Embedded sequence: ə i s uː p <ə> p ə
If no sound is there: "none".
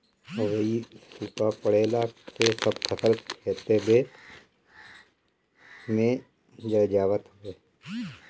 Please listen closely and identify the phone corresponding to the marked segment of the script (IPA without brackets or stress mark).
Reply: a